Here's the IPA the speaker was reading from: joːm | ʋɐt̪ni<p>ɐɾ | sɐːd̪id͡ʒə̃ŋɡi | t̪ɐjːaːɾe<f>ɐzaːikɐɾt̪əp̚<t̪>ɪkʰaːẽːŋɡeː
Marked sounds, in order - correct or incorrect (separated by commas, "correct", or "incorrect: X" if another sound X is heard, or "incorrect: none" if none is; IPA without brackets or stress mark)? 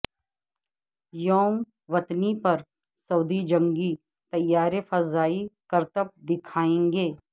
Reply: correct, correct, incorrect: d̪